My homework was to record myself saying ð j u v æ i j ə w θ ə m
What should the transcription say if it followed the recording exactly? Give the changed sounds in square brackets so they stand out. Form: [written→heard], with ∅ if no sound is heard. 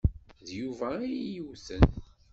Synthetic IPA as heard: ð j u v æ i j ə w θ ə [m→n]